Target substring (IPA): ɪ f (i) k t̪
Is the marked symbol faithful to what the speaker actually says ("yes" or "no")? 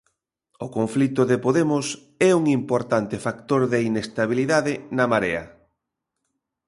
no